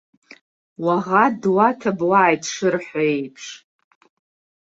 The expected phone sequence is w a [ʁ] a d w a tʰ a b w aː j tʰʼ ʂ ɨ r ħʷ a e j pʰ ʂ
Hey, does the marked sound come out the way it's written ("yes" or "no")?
yes